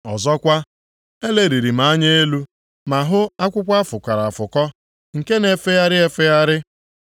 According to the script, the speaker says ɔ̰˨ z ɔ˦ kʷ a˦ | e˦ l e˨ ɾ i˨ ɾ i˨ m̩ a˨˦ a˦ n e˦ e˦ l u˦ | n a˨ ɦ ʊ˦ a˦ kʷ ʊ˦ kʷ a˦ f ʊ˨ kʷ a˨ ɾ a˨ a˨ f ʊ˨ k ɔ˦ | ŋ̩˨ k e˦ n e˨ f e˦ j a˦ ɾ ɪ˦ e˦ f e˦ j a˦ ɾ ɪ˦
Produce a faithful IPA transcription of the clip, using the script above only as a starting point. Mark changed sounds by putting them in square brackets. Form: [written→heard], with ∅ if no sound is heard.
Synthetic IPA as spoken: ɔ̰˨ z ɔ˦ kʷ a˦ | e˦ l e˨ ɾ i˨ ɾ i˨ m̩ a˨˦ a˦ [n→ɲ] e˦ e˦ l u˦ | [n→m] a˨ ɦ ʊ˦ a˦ kʷ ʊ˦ kʷ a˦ f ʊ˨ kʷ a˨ ɾ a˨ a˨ f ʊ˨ k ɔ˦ | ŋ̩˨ k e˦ n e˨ f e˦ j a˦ ɾ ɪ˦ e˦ f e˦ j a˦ ɾ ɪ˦